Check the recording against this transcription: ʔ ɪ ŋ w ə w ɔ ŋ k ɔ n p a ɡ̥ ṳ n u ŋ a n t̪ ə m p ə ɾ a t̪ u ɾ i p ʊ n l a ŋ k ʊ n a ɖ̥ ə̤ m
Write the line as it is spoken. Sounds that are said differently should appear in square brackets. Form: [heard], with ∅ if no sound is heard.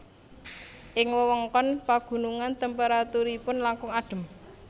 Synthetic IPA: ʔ ɪ ŋ w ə w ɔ ŋ k ɔ n p a ɡ̥ ṳ n u ŋ a n t̪ ə m p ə ɾ a t̪ u ɾ i p ʊ n l a ŋ k ʊ [ŋ] a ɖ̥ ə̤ m

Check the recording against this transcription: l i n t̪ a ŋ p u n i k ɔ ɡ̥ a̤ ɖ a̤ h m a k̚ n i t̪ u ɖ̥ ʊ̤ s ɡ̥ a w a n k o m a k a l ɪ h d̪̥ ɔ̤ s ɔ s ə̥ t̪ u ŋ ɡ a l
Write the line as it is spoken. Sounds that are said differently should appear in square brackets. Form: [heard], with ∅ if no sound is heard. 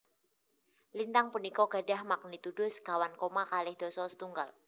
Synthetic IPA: l i n t̪ a ŋ p u n i k ɔ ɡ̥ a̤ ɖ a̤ h m a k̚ n i t̪ u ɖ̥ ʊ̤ s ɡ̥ a w a n k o m a k a l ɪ h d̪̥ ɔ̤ s ɔ s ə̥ t̪ u ŋ ɡ a l

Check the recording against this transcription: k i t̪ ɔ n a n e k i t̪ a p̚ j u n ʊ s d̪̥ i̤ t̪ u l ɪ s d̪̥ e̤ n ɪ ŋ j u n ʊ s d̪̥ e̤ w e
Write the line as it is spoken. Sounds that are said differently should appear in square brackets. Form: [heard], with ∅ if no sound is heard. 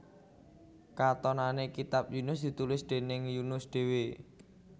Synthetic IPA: k [a] t̪ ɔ n a n e k i t̪ a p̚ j u n ʊ s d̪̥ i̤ t̪ u l ɪ s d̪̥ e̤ n ɪ ŋ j u n ʊ s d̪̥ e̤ w e

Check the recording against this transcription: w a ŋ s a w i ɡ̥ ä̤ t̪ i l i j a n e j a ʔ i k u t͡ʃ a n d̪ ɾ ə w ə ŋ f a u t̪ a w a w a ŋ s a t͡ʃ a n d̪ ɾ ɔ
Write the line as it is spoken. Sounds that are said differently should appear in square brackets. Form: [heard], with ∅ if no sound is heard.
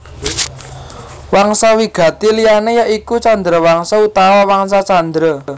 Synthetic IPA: w a ŋ s a w i ɡ̥ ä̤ t̪ i l i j a n e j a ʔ i k u t͡ʃ a n d̪ ɾ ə w [a] ŋ [s] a u t̪ a w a w a ŋ s a t͡ʃ a n d̪ ɾ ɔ

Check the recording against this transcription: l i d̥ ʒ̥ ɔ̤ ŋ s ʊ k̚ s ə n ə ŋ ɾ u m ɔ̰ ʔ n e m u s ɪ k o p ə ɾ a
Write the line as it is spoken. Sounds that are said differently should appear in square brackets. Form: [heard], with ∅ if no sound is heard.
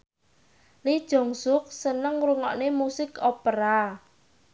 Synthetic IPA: l i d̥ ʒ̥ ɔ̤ ŋ s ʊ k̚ s ə n ə ŋ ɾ u [ŋ] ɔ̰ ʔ n e m u s ɪ k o p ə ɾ a

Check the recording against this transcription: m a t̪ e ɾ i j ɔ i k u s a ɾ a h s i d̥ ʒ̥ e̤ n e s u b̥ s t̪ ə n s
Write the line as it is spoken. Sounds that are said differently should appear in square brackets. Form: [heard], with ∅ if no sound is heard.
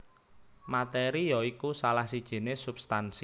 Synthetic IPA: m a t̪ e ɾ i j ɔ i k u s a [l] a h s i d̥ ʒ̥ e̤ n e s u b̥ s t̪ [a] n s

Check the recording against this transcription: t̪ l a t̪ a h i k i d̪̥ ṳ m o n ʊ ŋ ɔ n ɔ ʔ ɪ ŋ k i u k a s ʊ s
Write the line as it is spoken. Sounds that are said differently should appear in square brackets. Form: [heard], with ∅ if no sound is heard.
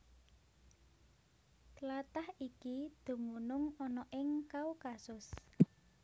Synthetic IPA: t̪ l a t̪ a h i k i d̪̥ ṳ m [u] n ʊ ŋ ɔ n ɔ ʔ ɪ ŋ k [a] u k a s ʊ s

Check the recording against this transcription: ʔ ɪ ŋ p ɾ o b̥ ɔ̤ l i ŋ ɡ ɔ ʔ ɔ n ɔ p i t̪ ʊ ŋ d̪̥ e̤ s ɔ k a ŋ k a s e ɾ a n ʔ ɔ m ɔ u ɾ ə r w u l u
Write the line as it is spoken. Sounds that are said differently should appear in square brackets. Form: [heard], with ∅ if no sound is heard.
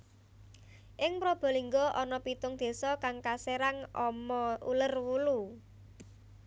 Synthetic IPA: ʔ ɪ ŋ p ɾ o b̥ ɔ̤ l i ŋ ɡ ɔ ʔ ɔ n ɔ p i t̪ ʊ ŋ d̪̥ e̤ s ɔ k a ŋ k a s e ɾ a [ŋ] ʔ ɔ m ɔ u [l] ə r w u l u

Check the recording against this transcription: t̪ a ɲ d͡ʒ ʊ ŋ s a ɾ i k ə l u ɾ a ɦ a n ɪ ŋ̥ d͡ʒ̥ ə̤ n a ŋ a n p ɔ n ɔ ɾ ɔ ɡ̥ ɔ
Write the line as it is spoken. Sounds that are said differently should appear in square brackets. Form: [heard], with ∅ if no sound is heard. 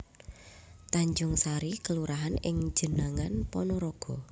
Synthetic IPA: t̪ a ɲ d͡ʒ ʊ ŋ s a ɾ i k ə l u ɾ a ɦ a n ɪ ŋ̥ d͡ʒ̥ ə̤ n a ŋ a n p ɔ n ɔ ɾ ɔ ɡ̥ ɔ

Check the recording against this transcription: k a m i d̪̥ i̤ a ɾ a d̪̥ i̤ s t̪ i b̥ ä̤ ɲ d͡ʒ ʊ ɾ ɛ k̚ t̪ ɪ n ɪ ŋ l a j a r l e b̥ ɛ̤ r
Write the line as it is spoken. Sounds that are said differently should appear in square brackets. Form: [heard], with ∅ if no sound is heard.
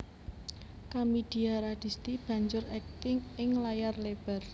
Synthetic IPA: k a m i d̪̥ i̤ a ɾ a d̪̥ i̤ s t̪ i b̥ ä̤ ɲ d͡ʒ ʊ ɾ ɛ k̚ t̪ ɪ [ŋ] ɪ ŋ l a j a r l e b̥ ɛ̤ r

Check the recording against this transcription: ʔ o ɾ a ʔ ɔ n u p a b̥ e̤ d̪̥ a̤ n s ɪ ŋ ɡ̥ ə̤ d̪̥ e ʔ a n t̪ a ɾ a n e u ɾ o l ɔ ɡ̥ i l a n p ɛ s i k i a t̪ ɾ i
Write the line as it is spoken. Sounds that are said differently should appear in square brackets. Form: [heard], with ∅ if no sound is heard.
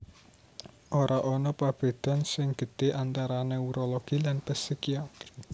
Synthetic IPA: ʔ o ɾ a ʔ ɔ n [ɔ] p a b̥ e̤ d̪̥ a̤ n s ɪ ŋ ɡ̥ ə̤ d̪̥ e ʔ a n t̪ a ɾ a n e u ɾ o l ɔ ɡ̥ i l a n p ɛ s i k i a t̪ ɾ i

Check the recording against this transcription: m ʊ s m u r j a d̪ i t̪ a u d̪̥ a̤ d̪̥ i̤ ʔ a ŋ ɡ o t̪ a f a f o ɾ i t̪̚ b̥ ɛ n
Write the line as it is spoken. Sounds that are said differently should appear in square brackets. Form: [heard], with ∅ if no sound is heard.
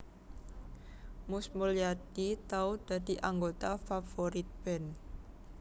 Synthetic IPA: m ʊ s m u [l] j a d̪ i t̪ a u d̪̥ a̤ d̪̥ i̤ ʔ a ŋ ɡ o t̪ a f a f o ɾ i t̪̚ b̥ ɛ n

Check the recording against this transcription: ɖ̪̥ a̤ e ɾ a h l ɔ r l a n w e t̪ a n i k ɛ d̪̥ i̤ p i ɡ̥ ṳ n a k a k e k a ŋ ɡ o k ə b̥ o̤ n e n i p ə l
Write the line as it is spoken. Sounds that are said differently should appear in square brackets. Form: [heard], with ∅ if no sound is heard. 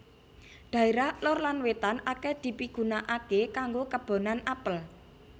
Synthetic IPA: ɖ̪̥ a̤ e ɾ a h l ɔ r l a n w e t̪ a n [a] k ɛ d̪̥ i̤ p i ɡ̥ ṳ n a [ʔ] a k e k a ŋ ɡ o k ə b̥ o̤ n [a] n [a] p ə l

